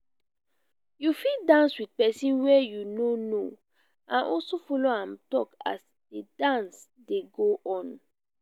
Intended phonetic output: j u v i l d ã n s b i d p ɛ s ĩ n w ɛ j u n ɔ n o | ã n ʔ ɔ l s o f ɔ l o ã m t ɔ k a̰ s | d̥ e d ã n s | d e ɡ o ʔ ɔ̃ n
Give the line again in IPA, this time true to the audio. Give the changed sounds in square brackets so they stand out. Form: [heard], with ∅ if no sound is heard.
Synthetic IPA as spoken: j u [f] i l d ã n s [w] i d p ɛ s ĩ n w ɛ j u n [o] n o | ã n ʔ ɔ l s o f ɔ l o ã m t ɔ k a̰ s | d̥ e d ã n s | d e ɡ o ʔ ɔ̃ n